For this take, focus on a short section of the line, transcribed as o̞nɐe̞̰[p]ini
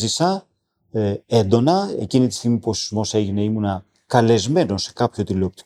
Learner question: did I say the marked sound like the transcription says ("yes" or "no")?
no